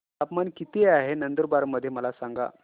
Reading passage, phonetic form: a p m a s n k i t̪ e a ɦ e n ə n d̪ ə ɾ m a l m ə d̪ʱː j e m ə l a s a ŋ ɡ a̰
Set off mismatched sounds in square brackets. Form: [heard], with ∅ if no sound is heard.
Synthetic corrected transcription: a p m a [∅] n k i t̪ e a ɦ e n ə n d̪ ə ɾ [b] a [ɾ] m ə d̪ʱː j e m ə l a s a ŋ ɡ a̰